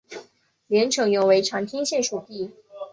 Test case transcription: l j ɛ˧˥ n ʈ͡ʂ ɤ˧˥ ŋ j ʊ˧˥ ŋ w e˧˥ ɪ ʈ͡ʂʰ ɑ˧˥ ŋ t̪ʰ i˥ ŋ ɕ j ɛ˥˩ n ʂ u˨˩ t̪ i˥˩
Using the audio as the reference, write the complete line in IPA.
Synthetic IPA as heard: l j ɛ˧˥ n ʈ͡ʂʰ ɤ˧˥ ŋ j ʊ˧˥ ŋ w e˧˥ ɪ ʈ͡ʂʰ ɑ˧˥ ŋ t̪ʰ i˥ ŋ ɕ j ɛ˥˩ n ʂ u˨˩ t̪ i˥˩